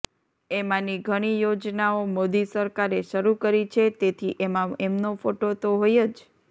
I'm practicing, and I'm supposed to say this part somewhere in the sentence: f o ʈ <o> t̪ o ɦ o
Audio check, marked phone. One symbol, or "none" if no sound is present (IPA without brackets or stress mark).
o